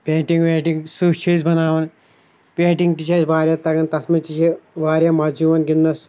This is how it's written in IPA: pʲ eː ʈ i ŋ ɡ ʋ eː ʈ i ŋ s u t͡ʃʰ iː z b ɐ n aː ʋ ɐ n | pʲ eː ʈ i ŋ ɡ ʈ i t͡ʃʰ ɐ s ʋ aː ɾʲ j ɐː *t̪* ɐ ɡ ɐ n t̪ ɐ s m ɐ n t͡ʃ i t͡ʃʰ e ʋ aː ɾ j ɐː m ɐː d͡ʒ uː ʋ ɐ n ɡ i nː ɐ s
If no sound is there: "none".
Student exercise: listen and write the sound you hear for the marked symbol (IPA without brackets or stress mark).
t̪